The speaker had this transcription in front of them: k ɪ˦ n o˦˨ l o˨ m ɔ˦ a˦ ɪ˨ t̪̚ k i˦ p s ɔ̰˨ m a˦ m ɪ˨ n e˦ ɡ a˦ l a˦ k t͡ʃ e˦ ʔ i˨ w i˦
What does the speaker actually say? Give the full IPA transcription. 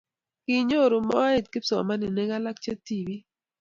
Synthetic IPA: k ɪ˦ ɲ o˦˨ ɾ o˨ m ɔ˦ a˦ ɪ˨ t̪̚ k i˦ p s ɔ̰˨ m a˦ n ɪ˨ n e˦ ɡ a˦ l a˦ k t͡ʃ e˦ t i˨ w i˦